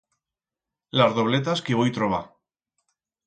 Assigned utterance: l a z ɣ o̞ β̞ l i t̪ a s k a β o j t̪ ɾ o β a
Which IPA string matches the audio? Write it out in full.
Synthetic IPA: l a z ð o̞ β̞ l e t̪ a s k e β o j t̪ ɾ o β a